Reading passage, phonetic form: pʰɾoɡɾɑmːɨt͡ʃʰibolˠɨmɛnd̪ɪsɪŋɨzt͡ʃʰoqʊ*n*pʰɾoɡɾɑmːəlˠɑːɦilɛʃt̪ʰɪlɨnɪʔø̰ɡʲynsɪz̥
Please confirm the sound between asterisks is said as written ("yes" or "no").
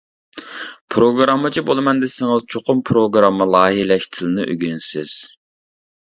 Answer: no